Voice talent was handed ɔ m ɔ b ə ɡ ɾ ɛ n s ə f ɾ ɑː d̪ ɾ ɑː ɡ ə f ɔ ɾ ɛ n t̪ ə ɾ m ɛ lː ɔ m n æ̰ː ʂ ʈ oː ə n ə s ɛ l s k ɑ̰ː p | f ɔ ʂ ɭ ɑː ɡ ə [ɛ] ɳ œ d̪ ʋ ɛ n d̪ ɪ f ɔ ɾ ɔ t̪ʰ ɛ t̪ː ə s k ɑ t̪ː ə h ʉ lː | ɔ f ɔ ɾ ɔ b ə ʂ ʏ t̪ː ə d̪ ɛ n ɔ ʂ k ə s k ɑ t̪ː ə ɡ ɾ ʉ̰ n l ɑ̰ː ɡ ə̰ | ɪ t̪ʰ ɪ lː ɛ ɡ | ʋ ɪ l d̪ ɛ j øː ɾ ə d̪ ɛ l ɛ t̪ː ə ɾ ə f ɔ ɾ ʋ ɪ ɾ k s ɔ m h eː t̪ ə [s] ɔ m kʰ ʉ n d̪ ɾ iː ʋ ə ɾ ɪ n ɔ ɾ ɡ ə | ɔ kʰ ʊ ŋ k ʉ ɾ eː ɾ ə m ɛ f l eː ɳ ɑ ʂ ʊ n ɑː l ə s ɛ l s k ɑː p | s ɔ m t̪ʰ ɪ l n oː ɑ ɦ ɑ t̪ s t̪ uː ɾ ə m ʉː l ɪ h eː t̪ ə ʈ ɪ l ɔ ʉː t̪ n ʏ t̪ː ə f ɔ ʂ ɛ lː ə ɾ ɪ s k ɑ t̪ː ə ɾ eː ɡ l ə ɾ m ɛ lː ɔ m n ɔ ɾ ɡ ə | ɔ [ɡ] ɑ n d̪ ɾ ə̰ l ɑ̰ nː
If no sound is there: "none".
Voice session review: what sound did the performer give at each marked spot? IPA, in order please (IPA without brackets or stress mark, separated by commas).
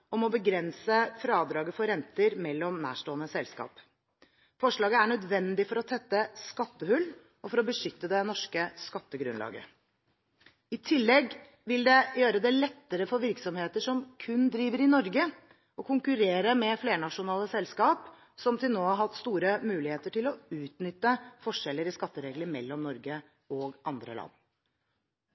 æ, ʂ, ɡ